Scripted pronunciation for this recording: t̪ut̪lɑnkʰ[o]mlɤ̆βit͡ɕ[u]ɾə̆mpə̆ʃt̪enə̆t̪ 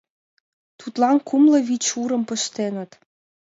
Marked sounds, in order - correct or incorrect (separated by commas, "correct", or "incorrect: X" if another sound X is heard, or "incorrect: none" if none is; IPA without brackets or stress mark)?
incorrect: u, correct